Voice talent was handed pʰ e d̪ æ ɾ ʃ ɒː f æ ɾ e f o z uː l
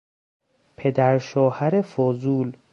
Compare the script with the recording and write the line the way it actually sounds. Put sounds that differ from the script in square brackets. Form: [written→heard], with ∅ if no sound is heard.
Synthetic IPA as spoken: pʰ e d̪ æ ɾ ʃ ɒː [f→h] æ ɾ e f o z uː l